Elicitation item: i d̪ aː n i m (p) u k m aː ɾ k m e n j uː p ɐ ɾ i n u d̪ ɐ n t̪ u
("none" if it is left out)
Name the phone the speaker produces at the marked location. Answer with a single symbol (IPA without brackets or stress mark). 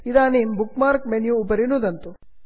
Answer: b